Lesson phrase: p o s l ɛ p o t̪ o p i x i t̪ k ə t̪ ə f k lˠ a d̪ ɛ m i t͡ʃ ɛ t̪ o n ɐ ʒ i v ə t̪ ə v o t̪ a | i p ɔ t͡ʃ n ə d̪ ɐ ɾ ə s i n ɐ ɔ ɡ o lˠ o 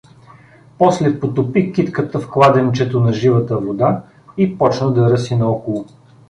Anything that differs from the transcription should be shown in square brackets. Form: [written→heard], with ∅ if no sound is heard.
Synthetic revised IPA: p [o→ɔ] s l ɛ p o t̪ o p i [x→k] i t̪ k ə t̪ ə f k lˠ a d̪ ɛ [m→n] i t͡ʃ ɛ t̪ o n ɐ ʒ i v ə t̪ ə v o [t̪→d̪] a | i p ɔ t͡ʃ n ə d̪ ɐ ɾ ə s i n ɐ ɔ [ɡ→k] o lˠ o